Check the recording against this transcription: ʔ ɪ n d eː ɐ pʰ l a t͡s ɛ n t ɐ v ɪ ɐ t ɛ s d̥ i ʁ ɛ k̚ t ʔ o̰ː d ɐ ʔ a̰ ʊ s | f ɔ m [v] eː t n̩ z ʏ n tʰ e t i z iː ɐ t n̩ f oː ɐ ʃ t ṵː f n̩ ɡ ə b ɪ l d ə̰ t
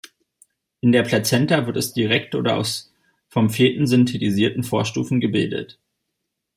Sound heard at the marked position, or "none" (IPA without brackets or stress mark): f